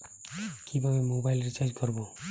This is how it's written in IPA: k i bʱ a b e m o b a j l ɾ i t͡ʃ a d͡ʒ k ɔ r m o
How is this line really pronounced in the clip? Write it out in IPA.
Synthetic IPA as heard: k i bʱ a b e m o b a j l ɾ i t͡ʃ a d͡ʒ k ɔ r b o